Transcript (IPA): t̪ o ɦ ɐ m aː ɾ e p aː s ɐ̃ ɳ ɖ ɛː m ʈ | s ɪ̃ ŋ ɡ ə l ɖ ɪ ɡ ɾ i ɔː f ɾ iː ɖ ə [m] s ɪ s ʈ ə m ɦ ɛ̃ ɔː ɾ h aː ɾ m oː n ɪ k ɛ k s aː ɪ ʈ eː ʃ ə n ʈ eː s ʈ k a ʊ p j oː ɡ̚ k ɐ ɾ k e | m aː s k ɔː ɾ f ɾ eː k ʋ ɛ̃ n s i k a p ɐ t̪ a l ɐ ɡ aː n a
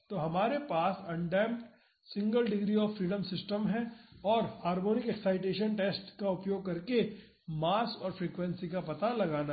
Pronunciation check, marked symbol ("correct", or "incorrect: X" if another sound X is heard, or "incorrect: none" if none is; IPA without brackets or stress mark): correct